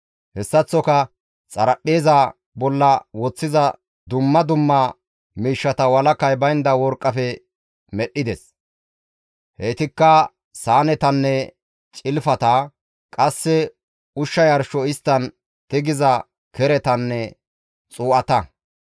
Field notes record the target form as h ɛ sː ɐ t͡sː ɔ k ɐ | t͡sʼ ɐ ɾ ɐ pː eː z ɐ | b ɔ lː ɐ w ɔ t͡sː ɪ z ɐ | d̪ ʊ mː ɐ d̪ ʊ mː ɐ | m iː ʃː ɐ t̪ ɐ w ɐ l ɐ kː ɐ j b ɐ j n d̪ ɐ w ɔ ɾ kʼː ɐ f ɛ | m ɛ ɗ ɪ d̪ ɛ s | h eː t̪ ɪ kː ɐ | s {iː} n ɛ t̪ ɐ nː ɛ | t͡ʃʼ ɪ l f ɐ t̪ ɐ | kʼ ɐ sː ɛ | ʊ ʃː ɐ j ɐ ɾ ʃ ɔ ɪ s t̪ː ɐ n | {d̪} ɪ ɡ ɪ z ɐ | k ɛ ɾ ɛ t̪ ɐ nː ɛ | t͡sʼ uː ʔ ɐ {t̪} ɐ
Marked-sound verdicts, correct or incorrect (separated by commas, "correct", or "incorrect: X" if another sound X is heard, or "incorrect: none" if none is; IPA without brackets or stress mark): incorrect: aː, incorrect: t̪, correct